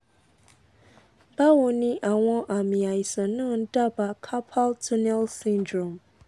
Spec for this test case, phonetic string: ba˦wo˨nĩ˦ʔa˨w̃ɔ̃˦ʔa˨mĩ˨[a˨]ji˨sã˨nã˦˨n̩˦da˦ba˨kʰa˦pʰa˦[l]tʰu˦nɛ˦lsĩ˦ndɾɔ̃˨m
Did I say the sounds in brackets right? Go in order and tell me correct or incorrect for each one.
correct, correct

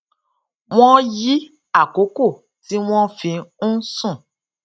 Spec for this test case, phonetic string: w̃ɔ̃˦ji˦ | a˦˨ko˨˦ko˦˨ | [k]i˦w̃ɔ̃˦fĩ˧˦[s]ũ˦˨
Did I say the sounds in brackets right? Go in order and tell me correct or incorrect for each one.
incorrect: t, correct

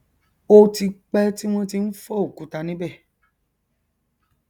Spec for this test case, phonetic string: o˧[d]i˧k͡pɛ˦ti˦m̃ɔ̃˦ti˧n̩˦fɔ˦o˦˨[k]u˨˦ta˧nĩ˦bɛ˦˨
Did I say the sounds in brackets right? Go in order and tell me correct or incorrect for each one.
incorrect: t, correct

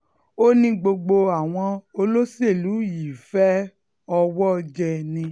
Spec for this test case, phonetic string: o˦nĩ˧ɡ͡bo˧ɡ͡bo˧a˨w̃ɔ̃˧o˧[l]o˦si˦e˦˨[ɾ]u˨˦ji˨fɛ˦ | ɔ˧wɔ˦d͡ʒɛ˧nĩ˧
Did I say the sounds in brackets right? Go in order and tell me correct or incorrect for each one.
correct, incorrect: l

